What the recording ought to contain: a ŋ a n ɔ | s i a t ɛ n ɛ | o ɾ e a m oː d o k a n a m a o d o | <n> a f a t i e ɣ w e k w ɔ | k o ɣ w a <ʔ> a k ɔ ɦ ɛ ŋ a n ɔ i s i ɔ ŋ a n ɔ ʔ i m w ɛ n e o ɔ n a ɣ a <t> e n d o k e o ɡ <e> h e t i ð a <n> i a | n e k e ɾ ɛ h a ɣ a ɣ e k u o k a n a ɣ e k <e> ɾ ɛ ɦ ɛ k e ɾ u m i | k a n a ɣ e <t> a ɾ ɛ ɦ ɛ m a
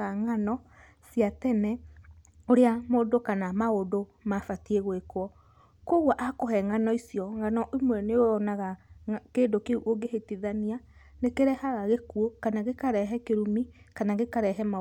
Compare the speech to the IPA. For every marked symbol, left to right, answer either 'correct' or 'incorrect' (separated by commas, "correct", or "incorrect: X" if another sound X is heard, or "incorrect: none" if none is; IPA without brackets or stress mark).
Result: incorrect: m, correct, incorrect: k, correct, correct, incorrect: a, incorrect: k